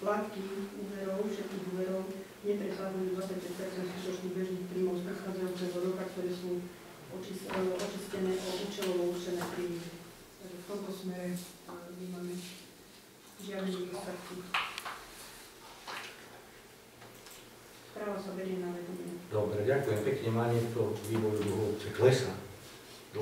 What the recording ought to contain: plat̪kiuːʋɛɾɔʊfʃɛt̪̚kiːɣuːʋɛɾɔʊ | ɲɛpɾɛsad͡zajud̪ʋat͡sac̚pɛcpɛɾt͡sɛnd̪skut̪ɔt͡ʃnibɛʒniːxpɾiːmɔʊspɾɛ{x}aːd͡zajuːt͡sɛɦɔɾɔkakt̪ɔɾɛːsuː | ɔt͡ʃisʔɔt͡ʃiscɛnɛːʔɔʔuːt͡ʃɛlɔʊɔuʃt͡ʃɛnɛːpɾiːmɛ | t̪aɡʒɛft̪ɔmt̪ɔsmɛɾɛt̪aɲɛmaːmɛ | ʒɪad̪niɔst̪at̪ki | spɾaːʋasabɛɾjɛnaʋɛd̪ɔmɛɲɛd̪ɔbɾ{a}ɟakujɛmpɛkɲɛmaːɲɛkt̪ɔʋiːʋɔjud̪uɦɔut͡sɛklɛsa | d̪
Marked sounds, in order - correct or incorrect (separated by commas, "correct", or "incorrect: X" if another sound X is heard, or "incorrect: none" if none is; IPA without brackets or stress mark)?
correct, incorrect: ɛ